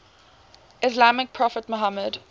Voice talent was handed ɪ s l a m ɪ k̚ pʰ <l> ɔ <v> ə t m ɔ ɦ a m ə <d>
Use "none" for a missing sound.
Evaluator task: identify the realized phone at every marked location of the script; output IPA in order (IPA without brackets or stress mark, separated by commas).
ɹ, f, d